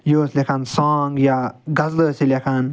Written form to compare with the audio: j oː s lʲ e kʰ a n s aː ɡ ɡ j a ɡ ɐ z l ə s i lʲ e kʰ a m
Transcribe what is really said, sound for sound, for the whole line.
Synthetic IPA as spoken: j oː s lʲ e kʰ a n s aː ŋ ɡ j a ɡ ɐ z l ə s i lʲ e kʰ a n